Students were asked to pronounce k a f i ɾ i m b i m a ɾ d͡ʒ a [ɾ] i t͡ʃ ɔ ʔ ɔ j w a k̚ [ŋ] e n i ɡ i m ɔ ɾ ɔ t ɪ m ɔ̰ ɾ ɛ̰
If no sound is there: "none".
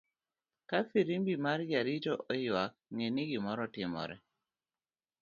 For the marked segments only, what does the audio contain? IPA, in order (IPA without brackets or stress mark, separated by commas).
ɾ, ŋ